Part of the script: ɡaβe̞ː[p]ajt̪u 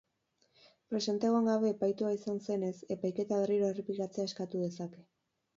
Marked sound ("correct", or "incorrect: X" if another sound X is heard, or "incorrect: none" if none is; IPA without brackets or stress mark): correct